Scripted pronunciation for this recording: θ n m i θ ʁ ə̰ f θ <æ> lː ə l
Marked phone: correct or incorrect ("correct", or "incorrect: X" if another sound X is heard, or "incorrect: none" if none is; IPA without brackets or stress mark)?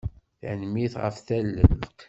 correct